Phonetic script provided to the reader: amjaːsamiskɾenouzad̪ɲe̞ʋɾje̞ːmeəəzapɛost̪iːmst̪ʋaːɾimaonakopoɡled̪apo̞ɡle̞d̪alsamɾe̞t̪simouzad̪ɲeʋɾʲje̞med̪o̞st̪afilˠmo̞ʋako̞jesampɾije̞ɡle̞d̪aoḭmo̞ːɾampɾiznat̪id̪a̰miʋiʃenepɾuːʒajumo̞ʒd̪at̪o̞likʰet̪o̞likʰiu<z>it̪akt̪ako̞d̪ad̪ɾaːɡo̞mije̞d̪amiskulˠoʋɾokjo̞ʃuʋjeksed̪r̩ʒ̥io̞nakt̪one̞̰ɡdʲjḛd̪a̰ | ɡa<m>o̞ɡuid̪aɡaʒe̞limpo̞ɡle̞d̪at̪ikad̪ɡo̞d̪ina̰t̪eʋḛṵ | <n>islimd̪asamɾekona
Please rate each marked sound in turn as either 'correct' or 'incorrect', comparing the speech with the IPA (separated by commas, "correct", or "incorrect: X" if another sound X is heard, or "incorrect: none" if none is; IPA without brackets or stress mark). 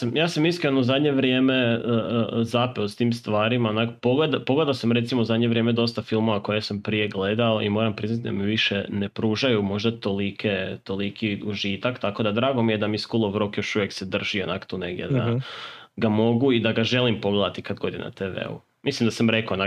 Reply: incorrect: ʒ, correct, incorrect: m